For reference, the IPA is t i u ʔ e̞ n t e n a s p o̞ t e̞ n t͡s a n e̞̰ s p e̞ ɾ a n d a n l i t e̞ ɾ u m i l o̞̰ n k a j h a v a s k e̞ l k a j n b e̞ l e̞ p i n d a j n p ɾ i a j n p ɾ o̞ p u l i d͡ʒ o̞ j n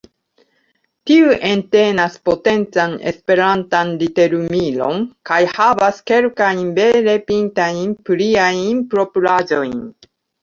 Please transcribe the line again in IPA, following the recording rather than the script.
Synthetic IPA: t i u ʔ e̞ n t e n a s p o̞ t e̞ n t͡s a n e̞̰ s p e̞ ɾ a n t a n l i t e̞ ɾ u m i l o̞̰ n k a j h a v a s k e̞ l k a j n b e̞ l e̞ p i n t a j n p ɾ i a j n p ɾ o̞ p u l a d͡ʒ o̞ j n